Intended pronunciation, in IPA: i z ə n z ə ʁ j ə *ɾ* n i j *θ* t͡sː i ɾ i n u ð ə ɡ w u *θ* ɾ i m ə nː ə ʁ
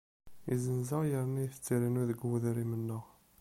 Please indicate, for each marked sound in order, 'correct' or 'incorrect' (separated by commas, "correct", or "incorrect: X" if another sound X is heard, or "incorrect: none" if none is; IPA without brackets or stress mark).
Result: correct, correct, incorrect: ð